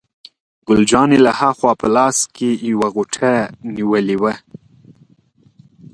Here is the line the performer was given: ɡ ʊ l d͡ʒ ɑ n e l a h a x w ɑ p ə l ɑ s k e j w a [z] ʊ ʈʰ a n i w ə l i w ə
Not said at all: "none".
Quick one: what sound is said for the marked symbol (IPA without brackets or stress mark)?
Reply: ɣ